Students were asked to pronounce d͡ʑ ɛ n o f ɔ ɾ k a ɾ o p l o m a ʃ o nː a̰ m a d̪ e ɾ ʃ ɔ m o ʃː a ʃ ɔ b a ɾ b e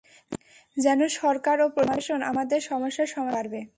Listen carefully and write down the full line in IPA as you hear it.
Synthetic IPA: d͡ʑ ɛ n o ʃ ɔ ɾ k a ɾ o p ɾ o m a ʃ o n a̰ m a d̪ e ɾ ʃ ɔ m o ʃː a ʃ ɔ m a ɾ b e